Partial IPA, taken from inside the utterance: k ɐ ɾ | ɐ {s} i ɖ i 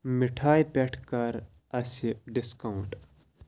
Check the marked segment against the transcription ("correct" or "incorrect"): correct